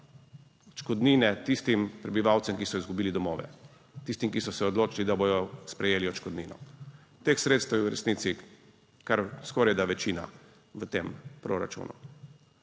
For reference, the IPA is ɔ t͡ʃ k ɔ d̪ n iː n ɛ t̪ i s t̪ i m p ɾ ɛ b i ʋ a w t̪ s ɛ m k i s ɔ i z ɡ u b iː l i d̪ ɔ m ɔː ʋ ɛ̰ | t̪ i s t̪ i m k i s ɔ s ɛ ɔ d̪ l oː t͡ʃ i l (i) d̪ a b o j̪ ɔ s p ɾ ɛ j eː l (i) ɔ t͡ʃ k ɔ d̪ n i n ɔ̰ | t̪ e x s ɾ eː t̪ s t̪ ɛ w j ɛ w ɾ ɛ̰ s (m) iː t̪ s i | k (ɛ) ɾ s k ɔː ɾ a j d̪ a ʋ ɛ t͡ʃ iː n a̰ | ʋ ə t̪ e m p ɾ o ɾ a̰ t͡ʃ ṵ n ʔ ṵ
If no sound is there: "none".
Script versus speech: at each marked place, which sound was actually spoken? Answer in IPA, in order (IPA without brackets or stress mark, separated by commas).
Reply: i, i, n, a